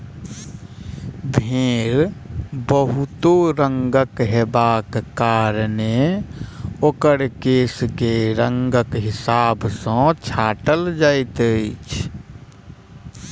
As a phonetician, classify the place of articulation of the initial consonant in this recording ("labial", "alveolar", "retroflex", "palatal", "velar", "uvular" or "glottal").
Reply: labial